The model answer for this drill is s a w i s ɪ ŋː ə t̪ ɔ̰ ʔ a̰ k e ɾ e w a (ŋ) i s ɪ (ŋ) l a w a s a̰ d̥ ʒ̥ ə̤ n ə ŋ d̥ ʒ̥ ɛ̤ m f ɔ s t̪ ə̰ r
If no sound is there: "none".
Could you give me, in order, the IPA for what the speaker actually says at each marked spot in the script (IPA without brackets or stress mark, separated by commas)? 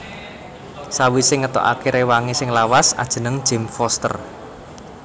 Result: ŋ, ŋ